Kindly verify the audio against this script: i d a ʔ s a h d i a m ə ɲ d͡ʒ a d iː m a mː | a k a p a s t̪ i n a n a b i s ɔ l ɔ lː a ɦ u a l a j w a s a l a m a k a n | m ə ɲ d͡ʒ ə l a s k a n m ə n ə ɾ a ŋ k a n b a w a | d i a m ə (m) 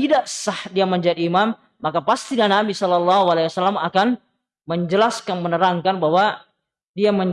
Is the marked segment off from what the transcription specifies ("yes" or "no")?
yes